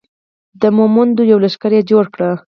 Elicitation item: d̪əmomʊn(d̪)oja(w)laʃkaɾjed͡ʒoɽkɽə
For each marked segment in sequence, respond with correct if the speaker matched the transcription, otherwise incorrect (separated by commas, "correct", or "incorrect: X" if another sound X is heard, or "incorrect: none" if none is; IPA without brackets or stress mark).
correct, correct